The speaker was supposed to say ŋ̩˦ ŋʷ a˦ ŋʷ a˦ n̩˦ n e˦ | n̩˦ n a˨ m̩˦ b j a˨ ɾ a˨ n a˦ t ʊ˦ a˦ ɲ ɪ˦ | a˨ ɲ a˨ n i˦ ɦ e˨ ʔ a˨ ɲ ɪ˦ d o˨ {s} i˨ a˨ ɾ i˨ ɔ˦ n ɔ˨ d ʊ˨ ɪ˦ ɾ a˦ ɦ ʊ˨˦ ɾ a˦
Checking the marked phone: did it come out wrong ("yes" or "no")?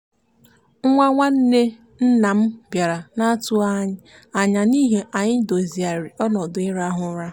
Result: yes